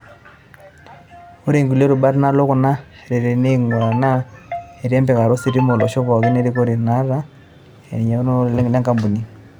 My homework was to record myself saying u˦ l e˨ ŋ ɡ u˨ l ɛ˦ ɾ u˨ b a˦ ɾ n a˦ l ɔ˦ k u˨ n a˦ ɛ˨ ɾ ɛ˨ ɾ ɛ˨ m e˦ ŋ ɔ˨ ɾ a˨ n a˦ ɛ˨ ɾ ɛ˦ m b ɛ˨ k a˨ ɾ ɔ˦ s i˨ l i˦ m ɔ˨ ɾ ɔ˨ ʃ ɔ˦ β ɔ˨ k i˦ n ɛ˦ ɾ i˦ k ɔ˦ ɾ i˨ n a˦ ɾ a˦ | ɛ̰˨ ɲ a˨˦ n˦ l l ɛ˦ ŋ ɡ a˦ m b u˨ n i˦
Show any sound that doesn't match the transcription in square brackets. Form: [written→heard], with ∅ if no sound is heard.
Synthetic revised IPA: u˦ [l→ɾ] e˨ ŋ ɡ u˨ l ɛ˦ ɾ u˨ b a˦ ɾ n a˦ l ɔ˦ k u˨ n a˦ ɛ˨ ɾ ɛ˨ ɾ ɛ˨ [m→n] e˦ ŋ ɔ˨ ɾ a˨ n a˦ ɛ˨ ɾ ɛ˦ m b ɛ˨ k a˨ ɾ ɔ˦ s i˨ [l→ɾ] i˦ m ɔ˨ [ɾ→l] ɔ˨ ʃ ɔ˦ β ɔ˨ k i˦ n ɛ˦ ɾ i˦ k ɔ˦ ɾ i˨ n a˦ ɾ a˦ | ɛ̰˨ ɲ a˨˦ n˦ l l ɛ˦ ŋ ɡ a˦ m b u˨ n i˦